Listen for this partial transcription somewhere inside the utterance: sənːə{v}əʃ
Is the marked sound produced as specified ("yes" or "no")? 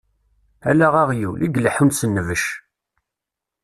yes